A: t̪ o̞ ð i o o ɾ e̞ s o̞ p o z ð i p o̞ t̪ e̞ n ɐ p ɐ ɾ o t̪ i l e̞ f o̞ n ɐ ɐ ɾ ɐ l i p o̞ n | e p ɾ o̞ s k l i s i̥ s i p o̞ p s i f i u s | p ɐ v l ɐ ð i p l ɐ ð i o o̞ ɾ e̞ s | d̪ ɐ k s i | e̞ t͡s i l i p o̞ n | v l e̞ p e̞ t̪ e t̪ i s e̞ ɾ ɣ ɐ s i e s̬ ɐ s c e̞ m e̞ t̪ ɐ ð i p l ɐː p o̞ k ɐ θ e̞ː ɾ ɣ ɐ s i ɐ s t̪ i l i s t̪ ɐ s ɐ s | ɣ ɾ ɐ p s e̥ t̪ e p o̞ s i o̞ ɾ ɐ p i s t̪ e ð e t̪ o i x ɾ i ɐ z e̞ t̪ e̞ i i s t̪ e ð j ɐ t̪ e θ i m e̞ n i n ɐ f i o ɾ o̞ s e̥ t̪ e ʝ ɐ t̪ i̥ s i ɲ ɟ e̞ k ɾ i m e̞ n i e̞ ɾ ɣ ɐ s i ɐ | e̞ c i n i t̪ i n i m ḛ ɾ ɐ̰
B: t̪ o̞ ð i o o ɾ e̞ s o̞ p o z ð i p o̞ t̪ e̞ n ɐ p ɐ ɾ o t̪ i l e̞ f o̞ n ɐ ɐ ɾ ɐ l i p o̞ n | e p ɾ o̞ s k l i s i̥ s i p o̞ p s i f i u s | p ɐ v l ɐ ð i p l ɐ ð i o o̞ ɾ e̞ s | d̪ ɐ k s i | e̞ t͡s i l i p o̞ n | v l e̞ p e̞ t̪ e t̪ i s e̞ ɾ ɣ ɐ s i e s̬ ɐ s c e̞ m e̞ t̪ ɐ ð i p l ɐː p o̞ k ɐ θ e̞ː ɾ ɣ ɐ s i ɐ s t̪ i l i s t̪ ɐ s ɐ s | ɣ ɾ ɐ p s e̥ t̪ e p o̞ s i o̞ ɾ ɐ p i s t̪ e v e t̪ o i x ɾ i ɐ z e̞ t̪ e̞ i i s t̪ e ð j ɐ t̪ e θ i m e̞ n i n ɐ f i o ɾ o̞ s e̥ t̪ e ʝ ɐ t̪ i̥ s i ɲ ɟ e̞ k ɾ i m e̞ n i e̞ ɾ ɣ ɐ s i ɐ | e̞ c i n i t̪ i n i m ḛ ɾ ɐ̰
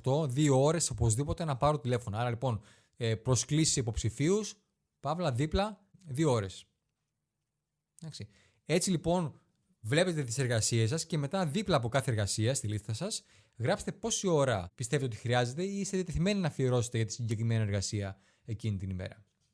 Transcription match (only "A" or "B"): B